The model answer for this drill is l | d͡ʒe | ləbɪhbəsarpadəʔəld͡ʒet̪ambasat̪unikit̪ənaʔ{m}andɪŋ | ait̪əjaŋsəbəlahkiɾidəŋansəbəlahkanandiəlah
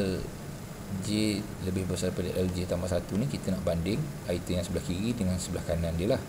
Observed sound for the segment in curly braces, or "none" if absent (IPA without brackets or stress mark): b